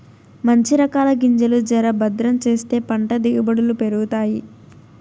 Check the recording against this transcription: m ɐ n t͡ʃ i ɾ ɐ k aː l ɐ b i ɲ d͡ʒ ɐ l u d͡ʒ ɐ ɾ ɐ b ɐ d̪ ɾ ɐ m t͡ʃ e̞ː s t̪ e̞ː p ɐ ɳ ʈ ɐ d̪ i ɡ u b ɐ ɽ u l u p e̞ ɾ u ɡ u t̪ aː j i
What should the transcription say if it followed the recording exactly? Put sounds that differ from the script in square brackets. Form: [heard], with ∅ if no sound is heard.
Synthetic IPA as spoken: m ɐ [ɲ] t͡ʃ i ɾ ɐ k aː l ɐ [ɡ] i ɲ d͡ʒ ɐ l u d͡ʒ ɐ ɾ ɐ b ɐ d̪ ɾ ɐ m t͡ʃ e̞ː s t̪ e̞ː p ɐ ɳ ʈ ɐ d̪ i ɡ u b ɐ ɽ u l u p e̞ ɾ u ɡ u t̪ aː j i